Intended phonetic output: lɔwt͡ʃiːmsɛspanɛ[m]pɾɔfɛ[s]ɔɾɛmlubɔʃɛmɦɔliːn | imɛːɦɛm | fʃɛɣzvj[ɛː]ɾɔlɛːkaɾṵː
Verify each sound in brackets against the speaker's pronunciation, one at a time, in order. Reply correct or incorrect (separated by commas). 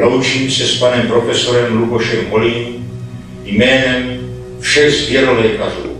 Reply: correct, correct, incorrect